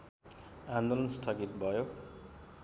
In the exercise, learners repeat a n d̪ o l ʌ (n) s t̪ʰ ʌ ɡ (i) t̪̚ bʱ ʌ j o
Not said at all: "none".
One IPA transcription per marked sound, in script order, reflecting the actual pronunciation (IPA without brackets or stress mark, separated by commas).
n, i